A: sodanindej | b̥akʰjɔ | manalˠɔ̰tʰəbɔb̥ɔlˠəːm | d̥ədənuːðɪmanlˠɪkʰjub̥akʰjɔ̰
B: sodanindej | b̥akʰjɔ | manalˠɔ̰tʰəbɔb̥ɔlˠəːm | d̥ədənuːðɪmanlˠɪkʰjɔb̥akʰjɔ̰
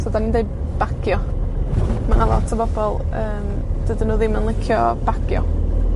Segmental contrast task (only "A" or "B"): B